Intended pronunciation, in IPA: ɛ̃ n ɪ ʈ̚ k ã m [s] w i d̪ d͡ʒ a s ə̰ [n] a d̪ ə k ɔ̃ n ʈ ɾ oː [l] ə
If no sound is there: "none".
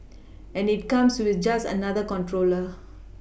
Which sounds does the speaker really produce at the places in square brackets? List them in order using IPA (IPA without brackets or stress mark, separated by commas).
s, n, l